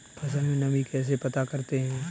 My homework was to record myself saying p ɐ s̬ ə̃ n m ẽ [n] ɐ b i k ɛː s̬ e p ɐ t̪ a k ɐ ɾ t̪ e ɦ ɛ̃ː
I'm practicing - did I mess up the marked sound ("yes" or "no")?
no